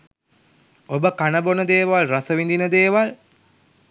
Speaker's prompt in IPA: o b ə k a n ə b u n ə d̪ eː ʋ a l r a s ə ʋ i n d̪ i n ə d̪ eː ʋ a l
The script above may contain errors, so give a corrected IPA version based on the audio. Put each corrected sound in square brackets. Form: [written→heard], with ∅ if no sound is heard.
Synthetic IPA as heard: o b ə k a n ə b [u→o] n ə d̪ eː ʋ a l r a s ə ʋ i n d̪ i n ə d̪ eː ʋ a l